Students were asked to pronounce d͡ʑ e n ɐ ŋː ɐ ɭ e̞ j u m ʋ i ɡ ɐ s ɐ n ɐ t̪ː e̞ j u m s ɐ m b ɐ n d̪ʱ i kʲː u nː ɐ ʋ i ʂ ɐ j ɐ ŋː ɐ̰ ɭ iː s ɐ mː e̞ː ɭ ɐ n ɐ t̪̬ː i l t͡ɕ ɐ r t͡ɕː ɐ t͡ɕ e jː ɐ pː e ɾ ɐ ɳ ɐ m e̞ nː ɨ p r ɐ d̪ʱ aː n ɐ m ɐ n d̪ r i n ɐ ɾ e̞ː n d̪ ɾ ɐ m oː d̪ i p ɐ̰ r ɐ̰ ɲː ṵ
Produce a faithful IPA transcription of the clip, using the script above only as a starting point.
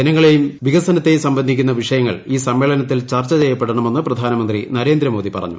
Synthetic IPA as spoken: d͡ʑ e n ɐ ŋː ɐ ɭ e̞ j u m ʋ i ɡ ɐ s ɐ n ɐ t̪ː e̞ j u m s ɐ m b ɐ n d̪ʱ i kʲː u nː ɐ ʋ i ʂ ɐ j ɐ ŋː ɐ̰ ɭ iː s ɐ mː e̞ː ɭ ɐ n ɐ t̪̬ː i l t͡ɕ ɐ r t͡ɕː ɐ t͡ɕ e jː ɐ pː e ɽ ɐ ɳ ɐ m e̞ nː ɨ p r ɐ d̪ʱ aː n ɐ m ɐ n d̪ r i n ɐ ɾ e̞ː n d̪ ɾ ɐ m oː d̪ i p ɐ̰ r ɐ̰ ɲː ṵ